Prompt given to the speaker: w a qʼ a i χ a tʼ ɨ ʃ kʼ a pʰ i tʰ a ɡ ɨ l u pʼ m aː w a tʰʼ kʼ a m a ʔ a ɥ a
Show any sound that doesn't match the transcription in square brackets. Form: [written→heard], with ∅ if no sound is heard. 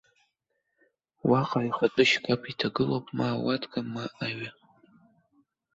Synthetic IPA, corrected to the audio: w a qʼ a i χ a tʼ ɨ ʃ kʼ a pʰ i tʰ a ɡ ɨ l [u→o] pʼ m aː w a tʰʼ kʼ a m a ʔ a ɥ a